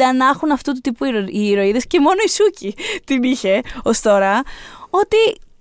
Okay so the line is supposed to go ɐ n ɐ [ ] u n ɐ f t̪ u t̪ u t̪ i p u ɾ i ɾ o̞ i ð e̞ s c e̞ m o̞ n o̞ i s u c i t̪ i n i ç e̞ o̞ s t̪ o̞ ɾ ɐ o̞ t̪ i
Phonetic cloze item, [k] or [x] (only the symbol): x